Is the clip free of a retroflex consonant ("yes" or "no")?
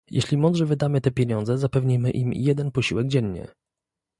no